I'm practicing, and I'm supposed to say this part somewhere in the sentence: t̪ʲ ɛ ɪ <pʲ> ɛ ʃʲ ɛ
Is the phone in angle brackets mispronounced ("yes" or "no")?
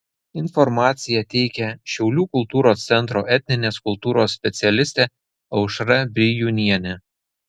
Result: yes